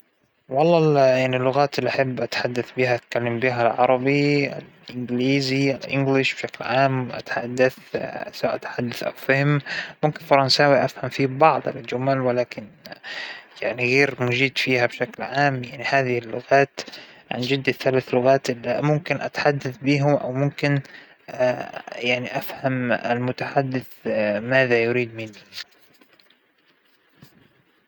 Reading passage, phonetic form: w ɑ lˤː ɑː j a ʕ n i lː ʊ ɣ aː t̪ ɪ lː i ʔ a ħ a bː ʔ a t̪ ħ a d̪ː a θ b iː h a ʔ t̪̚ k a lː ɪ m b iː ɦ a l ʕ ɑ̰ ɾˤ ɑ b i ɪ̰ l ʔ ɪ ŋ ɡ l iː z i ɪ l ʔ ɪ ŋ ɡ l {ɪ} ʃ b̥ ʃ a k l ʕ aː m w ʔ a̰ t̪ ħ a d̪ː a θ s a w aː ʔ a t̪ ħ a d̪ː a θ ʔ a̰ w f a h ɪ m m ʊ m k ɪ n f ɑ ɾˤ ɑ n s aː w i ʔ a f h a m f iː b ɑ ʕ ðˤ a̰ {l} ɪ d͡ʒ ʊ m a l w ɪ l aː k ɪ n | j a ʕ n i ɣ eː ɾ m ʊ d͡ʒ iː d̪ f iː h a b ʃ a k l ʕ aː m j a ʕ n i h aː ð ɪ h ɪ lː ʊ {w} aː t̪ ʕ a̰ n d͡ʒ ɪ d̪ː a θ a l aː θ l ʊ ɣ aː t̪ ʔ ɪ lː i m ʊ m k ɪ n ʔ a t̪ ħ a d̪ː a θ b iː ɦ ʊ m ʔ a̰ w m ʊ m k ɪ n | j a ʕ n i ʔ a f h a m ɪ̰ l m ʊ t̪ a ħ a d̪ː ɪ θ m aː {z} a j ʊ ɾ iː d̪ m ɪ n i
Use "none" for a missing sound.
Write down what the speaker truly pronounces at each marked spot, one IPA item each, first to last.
ɪ, l, ɣ, ð

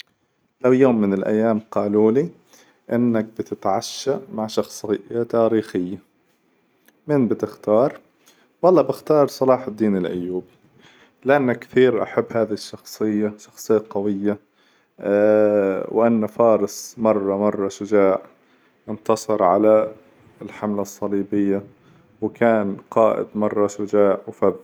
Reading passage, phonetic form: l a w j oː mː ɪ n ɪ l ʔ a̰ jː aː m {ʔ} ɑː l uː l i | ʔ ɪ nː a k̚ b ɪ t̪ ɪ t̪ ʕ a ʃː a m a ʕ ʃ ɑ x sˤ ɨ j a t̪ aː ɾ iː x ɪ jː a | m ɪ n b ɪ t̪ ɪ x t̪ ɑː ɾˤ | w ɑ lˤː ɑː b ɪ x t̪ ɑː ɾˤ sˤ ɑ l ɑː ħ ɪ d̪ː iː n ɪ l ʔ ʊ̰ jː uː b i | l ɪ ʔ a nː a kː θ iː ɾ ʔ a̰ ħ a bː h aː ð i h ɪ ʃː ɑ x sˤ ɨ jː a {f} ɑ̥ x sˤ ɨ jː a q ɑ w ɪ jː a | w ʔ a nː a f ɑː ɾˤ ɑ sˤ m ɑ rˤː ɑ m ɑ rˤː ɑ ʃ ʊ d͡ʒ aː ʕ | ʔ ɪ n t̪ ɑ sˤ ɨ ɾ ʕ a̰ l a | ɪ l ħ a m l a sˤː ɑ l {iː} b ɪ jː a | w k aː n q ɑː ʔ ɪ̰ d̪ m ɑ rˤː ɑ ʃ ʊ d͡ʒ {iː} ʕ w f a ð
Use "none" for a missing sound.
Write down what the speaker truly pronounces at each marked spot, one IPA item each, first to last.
q, ʃ, iː, aː

